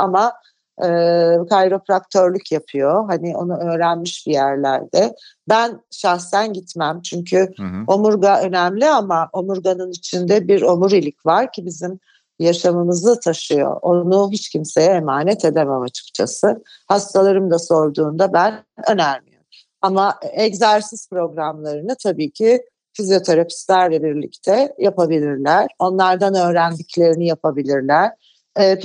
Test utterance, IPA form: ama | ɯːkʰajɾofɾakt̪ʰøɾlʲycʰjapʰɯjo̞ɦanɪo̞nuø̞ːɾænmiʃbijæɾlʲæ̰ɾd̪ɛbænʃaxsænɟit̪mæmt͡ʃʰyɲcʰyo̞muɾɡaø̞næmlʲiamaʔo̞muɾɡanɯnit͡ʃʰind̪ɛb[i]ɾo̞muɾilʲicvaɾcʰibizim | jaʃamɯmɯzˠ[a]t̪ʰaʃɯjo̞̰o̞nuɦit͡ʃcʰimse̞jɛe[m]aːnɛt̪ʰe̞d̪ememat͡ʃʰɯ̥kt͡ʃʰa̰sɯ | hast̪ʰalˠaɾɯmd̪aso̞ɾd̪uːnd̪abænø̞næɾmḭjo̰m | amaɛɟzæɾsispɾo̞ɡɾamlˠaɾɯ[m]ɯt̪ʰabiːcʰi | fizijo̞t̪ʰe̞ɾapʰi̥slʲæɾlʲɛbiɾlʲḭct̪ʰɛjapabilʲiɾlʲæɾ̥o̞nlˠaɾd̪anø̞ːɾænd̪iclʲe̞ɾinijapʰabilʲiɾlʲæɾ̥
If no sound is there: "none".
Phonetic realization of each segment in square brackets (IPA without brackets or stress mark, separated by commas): i, a, m, n